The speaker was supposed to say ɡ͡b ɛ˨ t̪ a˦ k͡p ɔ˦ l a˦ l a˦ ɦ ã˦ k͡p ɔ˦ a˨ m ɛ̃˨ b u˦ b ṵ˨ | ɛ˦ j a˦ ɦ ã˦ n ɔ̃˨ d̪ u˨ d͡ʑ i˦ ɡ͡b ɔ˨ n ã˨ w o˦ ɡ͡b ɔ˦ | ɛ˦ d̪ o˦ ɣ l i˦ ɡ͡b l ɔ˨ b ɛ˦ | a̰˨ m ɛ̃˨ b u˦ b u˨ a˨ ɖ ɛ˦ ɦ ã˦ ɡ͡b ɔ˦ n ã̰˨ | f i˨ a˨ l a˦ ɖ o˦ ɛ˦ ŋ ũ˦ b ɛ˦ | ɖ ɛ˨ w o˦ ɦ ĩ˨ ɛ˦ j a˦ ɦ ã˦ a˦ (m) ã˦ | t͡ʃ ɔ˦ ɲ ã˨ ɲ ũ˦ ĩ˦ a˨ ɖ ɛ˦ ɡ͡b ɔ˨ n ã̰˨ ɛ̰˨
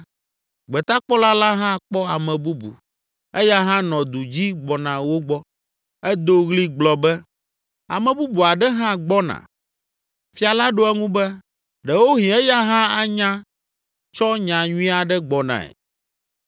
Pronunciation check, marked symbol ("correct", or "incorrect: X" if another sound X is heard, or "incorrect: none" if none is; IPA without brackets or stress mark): incorrect: ɲ